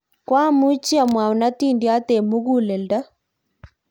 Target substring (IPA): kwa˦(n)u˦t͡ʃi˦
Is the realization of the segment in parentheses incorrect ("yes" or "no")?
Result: yes